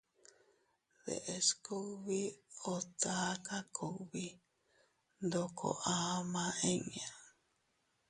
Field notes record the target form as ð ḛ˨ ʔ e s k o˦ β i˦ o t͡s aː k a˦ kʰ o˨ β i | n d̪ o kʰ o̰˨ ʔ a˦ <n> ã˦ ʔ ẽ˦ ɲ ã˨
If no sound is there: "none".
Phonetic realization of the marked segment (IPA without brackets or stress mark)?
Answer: m